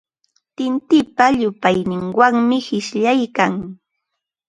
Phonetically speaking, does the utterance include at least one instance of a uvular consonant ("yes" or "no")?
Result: no